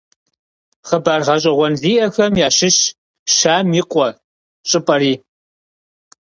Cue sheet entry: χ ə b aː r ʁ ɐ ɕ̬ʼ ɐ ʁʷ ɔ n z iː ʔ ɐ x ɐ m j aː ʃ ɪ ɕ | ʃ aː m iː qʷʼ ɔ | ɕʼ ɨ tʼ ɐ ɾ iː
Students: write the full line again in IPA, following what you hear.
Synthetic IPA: χ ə b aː r ʁ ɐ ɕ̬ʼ ɐ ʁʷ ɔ n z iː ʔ ɐ x ɐ m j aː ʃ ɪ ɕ | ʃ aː m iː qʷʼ ɔ | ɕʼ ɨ pʼ ɐ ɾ iː